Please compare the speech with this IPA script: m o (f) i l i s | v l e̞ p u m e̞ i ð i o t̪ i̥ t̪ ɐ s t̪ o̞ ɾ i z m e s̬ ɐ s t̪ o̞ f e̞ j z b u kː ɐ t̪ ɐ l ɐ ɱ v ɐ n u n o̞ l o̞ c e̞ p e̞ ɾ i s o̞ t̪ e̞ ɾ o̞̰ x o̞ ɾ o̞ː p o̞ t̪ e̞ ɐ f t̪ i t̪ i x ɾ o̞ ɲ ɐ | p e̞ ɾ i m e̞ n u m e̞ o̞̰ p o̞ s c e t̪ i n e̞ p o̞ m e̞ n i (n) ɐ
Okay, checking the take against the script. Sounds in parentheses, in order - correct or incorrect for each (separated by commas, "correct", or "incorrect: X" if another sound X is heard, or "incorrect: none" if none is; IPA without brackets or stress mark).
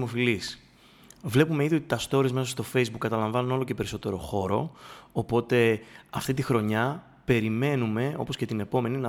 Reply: correct, correct